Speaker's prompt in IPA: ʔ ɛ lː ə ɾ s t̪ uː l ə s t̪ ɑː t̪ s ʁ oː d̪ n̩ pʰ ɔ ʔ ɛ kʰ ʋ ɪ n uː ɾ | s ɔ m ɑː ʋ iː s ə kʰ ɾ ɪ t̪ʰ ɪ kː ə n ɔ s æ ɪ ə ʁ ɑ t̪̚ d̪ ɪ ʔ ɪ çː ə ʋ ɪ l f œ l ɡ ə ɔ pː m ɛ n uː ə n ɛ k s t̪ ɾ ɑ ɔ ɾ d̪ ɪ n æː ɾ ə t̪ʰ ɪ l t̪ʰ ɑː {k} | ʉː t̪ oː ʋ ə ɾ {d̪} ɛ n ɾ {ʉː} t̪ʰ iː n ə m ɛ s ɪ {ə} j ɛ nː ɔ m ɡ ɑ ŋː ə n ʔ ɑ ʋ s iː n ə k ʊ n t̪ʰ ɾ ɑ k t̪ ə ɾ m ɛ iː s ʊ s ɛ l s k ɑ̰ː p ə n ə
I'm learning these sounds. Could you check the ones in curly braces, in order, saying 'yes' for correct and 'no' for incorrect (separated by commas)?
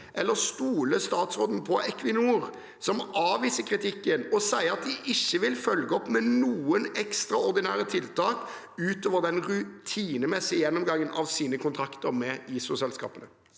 yes, yes, no, yes